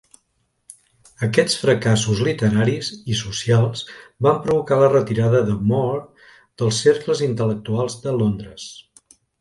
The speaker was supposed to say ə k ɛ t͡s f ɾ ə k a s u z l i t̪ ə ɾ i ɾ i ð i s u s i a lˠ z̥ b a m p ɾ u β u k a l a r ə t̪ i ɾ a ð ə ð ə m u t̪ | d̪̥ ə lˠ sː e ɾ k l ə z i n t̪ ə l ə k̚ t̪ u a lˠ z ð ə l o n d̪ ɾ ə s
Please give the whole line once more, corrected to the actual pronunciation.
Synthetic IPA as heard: ə k ɛ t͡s f ɾ ə k a s u z l i t̪ ə ɾ a ɾ i z i s u s i a lˠ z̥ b a m p ɾ u β u k a l ə r ə t̪ i ɾ a ð ə ð ə m ɔ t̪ | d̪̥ ə lˠ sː e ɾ k l ə z i n t̪ ə l ə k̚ t̪ u a lˠ z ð ə l o n d̪ ɾ ə s